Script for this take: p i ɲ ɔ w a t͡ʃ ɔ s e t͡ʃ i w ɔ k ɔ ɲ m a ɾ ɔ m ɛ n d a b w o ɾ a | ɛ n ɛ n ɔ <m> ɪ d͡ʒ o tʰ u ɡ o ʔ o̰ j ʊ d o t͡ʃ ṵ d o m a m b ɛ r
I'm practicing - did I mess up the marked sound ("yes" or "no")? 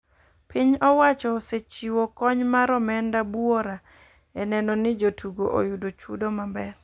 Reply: yes